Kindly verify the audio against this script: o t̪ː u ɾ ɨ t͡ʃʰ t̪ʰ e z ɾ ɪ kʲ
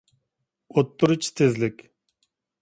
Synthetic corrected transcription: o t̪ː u ɾ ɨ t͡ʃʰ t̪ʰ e z l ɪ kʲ